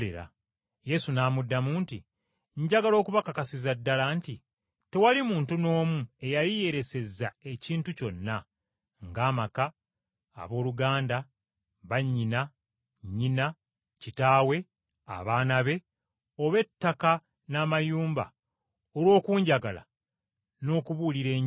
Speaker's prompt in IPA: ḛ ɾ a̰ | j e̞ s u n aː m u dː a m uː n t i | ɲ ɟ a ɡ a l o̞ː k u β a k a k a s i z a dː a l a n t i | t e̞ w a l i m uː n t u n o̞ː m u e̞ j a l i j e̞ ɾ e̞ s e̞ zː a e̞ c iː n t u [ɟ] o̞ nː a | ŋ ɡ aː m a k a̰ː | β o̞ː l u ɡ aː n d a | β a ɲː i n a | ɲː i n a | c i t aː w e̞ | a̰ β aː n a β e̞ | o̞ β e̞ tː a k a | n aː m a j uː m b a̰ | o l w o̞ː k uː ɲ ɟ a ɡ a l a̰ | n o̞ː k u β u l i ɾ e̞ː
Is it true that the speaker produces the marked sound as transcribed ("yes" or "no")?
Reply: no